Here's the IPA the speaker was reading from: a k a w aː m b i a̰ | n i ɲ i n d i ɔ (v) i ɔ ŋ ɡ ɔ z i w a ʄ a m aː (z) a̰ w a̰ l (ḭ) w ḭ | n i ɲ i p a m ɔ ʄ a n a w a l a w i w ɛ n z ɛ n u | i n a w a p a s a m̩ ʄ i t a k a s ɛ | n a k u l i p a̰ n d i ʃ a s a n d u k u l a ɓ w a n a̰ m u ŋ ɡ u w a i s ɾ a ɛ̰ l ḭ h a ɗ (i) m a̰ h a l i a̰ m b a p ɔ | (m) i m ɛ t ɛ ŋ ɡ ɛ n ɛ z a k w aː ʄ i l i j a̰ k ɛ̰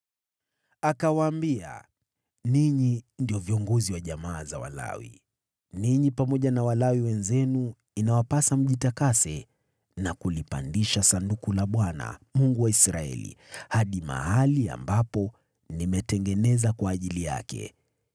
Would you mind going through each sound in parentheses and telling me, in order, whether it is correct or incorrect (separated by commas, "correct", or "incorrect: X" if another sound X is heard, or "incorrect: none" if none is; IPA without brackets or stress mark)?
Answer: correct, correct, incorrect: a̰, correct, incorrect: n